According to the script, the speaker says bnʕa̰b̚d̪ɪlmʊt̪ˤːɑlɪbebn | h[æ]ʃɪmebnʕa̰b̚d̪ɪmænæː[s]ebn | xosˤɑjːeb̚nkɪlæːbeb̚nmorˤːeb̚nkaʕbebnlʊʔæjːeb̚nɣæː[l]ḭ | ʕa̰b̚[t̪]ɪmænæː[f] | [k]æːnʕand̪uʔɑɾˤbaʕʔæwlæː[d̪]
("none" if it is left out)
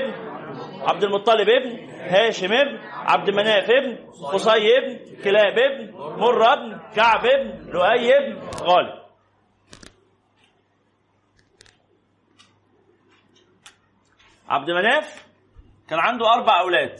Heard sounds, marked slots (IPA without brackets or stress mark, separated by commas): æː, f, l, d̪, f, k, d̪